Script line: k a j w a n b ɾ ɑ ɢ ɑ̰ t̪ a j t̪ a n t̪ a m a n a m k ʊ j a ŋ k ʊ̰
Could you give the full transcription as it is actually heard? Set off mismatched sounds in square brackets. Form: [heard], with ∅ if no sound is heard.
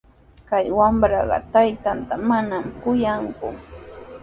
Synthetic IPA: k a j w a [m] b ɾ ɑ ɢ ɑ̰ t̪ a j t̪ a n t̪ a m a n a m k ʊ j a ŋ k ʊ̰